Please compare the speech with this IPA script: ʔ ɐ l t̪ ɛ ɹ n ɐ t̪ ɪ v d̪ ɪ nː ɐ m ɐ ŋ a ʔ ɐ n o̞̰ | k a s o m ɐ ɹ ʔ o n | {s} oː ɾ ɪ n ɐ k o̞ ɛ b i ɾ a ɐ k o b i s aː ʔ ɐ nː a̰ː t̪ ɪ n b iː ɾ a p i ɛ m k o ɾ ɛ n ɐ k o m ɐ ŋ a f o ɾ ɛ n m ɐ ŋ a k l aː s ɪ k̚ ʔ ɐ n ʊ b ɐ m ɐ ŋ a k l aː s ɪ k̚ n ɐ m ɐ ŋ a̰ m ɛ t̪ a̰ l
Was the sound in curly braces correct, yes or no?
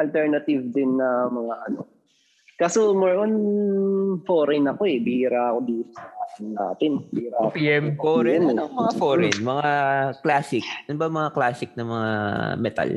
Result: no